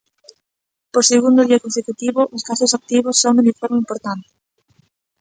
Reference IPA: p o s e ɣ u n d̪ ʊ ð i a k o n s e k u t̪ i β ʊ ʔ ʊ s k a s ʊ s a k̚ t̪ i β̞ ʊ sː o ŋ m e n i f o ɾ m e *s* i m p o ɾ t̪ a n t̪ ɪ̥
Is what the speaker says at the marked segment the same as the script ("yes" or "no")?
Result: no